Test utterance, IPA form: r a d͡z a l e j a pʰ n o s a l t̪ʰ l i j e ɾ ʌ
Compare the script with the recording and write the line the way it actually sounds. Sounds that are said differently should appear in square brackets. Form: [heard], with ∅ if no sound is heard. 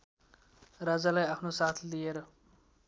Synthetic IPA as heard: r a d͡z a l [a] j a pʰ n o s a [∅] t̪ʰ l i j e ɾ ʌ